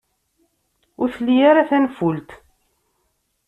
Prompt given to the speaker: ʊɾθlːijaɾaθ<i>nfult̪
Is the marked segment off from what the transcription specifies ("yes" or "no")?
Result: yes